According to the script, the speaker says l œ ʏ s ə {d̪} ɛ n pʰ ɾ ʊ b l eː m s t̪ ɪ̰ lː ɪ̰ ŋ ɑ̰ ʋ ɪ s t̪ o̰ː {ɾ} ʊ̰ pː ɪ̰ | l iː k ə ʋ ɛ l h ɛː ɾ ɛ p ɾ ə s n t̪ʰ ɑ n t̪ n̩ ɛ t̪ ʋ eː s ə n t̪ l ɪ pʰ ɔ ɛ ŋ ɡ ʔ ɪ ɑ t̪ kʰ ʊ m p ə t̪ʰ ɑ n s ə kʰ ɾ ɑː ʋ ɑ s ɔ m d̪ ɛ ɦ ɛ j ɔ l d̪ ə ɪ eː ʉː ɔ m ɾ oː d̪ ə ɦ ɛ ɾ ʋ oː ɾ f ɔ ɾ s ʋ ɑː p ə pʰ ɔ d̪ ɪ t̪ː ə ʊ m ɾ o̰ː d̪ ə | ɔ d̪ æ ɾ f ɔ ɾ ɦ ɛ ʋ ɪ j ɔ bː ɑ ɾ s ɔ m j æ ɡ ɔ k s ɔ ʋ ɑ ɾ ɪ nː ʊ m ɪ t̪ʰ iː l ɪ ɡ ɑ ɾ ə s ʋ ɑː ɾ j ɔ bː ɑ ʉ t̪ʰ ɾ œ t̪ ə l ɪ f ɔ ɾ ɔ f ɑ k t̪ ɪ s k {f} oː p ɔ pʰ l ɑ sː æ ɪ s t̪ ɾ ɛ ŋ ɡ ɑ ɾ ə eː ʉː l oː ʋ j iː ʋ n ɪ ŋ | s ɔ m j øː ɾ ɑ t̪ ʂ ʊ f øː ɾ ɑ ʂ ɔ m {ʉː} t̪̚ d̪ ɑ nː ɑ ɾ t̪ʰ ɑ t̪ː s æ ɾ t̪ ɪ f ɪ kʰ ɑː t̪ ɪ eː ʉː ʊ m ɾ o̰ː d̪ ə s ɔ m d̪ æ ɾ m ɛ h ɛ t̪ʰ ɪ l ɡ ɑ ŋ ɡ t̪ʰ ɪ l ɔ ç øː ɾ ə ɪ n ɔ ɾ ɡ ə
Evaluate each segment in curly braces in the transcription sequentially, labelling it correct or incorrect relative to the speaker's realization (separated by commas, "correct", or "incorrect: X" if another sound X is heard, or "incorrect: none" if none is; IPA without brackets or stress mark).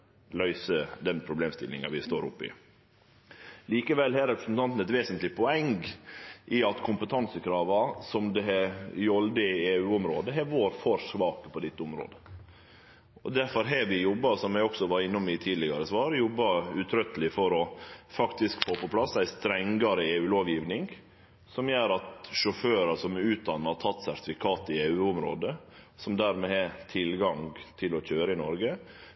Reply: correct, correct, correct, correct